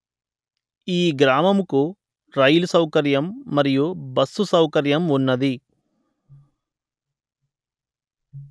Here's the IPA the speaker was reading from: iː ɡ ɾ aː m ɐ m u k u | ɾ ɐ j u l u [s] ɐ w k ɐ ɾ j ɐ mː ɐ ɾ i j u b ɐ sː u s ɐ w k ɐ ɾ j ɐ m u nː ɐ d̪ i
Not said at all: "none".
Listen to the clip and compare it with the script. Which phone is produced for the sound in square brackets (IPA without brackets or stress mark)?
s